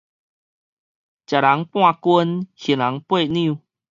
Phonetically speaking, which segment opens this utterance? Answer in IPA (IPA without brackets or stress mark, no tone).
t͡ɕ